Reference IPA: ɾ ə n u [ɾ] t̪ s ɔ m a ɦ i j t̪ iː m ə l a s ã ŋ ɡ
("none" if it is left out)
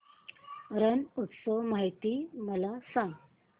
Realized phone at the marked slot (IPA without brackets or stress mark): none